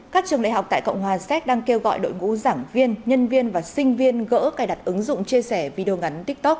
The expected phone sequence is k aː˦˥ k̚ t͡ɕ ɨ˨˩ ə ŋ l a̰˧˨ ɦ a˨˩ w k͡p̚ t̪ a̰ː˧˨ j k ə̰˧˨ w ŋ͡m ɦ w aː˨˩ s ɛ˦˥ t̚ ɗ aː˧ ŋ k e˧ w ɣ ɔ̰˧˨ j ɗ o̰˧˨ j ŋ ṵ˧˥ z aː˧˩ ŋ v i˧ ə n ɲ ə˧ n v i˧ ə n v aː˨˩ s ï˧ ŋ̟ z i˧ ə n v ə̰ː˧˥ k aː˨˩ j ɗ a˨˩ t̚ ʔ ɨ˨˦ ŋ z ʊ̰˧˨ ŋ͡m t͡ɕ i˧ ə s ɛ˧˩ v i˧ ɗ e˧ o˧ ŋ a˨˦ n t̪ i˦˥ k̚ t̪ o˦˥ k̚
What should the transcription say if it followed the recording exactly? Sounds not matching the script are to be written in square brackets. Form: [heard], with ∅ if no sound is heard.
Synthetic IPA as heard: k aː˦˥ k̚ t͡ɕ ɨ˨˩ ə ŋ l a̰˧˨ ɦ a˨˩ w k͡p̚ t̪ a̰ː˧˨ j k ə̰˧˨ w ŋ͡m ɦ w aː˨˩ s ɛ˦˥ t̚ ɗ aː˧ ŋ k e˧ w ɣ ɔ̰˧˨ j ɗ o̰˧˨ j ŋ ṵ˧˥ z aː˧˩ ŋ v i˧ ə n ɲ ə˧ n v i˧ ə n v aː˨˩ s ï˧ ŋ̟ [v] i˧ ə n [ɣ] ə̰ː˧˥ k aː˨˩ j ɗ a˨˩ t̚ ʔ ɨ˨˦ ŋ z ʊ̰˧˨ ŋ͡m t͡ɕ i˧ ə s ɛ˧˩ v i˧ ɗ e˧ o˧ ŋ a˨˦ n t̪ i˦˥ k̚ t̪ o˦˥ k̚